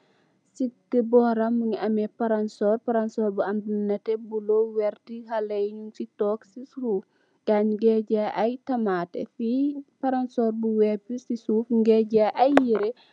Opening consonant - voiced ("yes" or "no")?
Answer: no